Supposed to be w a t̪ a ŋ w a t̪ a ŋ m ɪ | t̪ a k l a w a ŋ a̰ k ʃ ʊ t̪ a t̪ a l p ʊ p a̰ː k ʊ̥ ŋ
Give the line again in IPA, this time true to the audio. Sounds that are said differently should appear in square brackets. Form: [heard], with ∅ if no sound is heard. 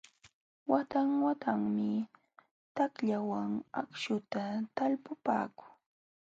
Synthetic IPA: w a t̪ a ŋ w a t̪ a ŋ m ɪ | t̪ a k [ʎ] a w a ŋ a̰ k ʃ ʊ t̪ a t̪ a l p ʊ p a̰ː k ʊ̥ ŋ